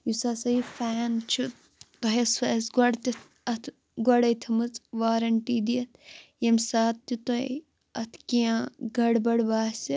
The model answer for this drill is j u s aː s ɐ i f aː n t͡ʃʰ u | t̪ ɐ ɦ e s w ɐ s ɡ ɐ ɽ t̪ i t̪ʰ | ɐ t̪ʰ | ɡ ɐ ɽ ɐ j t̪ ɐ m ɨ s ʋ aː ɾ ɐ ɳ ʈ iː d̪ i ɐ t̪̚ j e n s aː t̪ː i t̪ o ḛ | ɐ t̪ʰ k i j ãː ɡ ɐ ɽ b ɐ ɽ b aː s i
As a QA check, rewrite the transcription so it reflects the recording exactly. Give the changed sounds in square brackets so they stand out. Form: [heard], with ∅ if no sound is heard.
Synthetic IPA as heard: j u s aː s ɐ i f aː n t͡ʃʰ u | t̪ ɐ ɦ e s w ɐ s ɡ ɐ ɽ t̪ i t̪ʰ | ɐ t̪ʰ | ɡ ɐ ɽ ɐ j [t̪ʰ] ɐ m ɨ [t͡s] ʋ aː ɾ ɐ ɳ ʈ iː d̪ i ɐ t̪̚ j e [m] s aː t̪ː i t̪ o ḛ | ɐ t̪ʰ k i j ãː ɡ ɐ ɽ b ɐ ɽ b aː s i